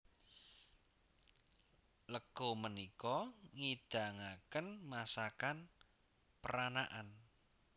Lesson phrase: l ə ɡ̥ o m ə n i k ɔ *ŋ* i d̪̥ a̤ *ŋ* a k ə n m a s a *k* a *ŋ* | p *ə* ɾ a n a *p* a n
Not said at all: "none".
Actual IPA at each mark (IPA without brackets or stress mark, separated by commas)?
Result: ŋ, ŋ, k, n, ə, ʔ